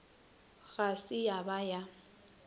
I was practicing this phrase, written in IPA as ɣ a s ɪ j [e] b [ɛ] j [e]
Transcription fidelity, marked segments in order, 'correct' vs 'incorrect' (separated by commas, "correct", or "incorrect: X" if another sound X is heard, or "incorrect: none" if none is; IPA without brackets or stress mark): incorrect: a, incorrect: a, incorrect: a